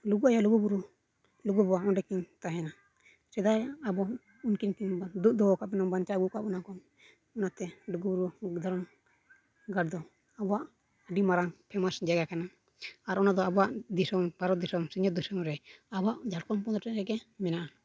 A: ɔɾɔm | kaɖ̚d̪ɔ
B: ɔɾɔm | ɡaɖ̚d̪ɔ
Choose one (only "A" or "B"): B